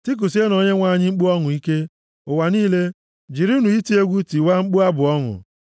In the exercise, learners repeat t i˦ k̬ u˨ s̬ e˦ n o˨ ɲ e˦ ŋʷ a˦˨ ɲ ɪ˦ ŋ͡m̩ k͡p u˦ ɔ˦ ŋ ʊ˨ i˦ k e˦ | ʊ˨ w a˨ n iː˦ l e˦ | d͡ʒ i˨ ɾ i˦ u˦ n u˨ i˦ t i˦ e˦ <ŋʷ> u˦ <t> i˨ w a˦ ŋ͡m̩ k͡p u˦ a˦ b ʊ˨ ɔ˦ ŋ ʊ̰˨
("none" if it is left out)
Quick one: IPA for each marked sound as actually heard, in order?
ɡʷ, t

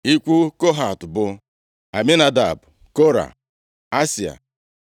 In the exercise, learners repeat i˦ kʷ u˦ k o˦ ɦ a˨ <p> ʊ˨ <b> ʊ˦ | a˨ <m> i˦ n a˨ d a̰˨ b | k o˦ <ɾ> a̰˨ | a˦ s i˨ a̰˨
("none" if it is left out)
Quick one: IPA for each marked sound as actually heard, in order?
t, b, m, ɾ

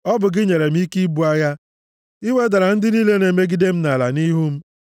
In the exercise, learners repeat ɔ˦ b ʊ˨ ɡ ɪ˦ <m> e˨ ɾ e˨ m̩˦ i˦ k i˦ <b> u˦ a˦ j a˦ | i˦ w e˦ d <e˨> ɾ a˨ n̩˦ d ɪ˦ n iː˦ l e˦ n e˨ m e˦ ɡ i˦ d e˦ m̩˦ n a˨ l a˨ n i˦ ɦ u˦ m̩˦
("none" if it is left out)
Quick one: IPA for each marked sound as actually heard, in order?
ɲ, b, a˨

